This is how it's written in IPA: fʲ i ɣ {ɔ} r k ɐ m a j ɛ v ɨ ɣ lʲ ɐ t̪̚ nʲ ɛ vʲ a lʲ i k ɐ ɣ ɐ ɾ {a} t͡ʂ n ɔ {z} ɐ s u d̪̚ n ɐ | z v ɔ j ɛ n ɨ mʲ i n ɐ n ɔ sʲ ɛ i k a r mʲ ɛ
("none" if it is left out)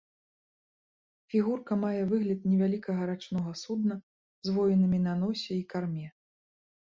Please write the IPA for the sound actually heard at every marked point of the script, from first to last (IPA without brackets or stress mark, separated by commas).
u, a, ɣ